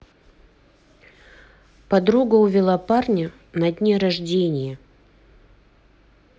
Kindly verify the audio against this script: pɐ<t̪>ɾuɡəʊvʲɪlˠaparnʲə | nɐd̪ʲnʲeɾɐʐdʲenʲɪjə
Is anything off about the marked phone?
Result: yes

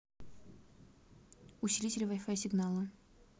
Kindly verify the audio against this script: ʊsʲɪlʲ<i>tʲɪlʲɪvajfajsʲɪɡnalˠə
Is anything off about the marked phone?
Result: no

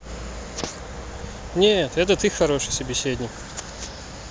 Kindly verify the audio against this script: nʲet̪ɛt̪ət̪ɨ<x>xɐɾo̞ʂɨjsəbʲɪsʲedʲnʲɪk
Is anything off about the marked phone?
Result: no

